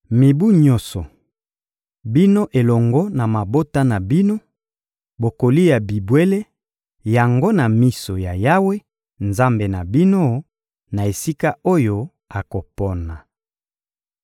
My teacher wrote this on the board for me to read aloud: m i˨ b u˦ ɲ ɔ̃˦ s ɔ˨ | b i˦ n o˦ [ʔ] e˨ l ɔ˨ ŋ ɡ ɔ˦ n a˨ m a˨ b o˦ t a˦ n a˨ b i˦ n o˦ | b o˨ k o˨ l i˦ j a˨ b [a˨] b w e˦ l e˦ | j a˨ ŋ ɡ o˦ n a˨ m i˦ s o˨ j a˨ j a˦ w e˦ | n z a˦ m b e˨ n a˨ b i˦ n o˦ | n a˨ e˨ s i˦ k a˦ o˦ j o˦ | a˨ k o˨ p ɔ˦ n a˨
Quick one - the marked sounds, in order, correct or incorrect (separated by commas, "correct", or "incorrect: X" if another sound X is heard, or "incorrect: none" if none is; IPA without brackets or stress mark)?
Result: correct, incorrect: i˨